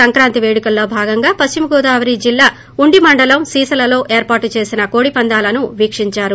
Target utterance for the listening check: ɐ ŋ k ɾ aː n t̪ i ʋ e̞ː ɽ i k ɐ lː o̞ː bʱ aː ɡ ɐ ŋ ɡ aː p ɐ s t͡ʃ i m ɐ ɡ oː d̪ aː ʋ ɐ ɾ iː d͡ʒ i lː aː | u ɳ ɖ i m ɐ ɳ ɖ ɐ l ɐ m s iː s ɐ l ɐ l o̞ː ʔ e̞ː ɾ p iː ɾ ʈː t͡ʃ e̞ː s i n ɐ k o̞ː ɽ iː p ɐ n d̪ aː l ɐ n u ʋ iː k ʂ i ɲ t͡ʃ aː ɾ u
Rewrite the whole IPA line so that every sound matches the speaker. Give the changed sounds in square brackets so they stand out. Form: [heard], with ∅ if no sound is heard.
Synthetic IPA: ɐ ŋ k ɾ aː n t̪ i ʋ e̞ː ɽ i k ɐ lː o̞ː bʱ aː ɡ ɐ ŋ ɡ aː p ɐ s t͡ʃ i m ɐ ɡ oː d̪ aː ʋ ɐ ɾ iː d͡ʒ i lː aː | u ɳ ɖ i m ɐ ɳ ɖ ɐ l ɐ m s iː s ɐ l ɐ l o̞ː ʔ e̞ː ɾ p [aː] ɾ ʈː t͡ʃ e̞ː s i n ɐ k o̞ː ɽ [i] p ɐ n d̪ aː l ɐ n u ʋ iː k ʂ i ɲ t͡ʃ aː ɾ u